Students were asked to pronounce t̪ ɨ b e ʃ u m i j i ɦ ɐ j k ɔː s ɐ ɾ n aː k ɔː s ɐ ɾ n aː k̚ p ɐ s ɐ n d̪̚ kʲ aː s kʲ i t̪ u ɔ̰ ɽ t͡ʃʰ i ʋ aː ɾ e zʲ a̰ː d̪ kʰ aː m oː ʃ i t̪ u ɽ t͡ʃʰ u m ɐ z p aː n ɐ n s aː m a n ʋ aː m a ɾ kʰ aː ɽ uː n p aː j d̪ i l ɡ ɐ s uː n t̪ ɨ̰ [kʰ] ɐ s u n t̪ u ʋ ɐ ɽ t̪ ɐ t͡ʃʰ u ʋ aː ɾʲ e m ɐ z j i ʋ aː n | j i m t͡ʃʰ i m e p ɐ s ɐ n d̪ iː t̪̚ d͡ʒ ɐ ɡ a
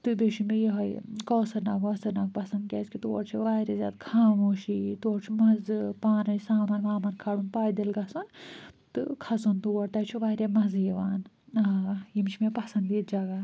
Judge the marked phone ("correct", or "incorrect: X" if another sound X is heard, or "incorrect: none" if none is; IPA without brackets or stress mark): correct